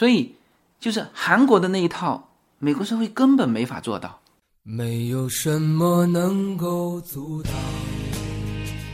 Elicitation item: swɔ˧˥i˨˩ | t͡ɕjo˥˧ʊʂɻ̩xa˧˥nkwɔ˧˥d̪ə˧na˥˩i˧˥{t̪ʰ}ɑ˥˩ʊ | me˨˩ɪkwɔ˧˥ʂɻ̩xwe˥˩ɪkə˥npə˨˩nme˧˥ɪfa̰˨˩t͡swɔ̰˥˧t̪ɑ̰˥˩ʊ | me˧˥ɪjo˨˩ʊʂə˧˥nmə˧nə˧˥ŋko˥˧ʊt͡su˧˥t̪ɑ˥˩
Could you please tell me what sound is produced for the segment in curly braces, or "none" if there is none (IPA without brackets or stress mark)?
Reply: t̪ʰ